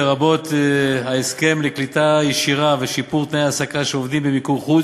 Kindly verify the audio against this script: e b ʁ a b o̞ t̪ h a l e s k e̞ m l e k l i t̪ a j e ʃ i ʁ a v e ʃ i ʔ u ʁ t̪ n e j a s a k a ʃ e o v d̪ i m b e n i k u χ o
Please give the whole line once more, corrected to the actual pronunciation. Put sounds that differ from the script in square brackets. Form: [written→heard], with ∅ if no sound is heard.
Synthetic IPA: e [b→∅] ʁ a b o̞ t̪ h a [l→∅] e s k e̞ m l e k l i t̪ a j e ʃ i ʁ a v e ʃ i [ʔ→p] u ʁ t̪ n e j a s a k a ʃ e o v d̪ i m b e [n→m] i k u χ [o→u]